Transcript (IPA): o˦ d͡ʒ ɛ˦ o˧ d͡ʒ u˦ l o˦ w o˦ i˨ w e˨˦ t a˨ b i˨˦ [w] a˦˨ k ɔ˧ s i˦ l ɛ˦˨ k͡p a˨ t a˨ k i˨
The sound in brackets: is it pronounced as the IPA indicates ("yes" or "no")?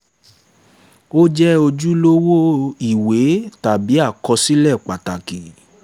no